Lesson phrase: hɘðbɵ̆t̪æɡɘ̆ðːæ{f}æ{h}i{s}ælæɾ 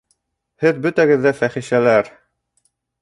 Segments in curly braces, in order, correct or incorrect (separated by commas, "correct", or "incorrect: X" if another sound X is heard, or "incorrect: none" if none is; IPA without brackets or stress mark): correct, incorrect: χ, incorrect: ʃ